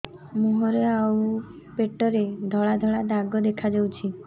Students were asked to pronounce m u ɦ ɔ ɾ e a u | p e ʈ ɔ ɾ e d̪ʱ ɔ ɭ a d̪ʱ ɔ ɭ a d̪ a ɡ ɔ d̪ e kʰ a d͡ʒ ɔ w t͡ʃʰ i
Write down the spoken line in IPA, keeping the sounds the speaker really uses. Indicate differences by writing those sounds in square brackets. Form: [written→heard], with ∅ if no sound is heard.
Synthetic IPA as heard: m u ɦ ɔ ɾ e a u | p e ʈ ɔ ɾ e d̪ʱ ɔ ɭ a d̪ʱ ɔ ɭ a d̪ a ɡ ɔ d̪ e kʰ a d͡ʒ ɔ w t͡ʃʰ i